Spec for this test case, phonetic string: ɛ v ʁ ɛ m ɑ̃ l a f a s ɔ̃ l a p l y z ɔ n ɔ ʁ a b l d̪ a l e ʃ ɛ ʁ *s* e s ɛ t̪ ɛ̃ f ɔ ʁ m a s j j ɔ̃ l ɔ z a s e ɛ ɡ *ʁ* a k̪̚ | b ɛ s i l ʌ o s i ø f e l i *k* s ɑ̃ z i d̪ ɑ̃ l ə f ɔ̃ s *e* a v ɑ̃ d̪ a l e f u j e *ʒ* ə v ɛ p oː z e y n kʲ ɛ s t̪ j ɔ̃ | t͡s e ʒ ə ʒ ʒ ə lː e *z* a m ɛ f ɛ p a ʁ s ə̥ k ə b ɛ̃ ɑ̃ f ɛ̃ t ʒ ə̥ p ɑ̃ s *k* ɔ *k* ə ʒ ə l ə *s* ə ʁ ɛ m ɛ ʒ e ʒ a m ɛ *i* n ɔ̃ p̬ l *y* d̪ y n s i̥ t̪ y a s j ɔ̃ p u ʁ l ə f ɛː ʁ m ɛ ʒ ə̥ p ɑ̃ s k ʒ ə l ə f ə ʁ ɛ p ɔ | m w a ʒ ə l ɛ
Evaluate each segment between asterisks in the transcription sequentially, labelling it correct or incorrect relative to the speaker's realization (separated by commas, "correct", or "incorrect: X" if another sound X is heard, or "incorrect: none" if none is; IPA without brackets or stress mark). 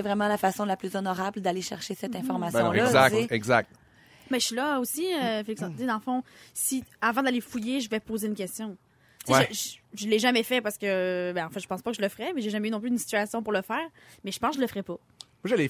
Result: incorrect: ʃ, incorrect: z, correct, incorrect: i, correct, incorrect: ʒ, incorrect: p, correct, incorrect: f, incorrect: y, correct